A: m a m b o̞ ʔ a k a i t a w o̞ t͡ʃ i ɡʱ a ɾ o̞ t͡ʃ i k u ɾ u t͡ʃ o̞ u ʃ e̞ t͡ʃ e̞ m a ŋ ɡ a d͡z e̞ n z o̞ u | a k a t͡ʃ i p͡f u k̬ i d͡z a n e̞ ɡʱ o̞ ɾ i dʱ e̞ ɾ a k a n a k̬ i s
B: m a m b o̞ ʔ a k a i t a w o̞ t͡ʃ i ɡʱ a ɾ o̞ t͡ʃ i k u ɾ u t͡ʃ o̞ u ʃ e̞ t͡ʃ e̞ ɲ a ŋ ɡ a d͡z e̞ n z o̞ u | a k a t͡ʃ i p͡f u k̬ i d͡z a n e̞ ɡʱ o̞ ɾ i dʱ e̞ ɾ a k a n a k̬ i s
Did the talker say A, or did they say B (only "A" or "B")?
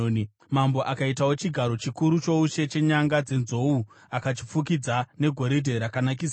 B